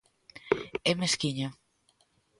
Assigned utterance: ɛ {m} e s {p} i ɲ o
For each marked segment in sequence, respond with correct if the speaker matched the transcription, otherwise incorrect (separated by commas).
correct, incorrect